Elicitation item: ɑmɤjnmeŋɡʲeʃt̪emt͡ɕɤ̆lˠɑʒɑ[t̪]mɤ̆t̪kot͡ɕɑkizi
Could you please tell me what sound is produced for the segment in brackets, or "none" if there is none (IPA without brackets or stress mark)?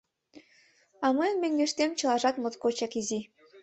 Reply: t̪